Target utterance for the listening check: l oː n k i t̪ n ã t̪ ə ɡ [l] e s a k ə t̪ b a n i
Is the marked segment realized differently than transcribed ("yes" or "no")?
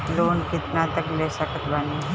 no